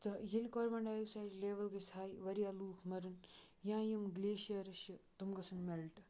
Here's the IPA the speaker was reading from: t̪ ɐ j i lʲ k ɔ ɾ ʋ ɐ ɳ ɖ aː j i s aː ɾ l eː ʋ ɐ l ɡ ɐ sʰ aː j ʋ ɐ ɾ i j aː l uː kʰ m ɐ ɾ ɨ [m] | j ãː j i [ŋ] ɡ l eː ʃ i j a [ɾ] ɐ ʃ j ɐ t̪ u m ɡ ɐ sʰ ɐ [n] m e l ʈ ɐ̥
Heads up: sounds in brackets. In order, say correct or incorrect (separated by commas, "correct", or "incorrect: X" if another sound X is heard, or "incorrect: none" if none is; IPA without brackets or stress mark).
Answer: incorrect: n, incorrect: m, correct, correct